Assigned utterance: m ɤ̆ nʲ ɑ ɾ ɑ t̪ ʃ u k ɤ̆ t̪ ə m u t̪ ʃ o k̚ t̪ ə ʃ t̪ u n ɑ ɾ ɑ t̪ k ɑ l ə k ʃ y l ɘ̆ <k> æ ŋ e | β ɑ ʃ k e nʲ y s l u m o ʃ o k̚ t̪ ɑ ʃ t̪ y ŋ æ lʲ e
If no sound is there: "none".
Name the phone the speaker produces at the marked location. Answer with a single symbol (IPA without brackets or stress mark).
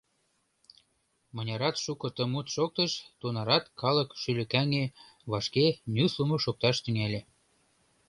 k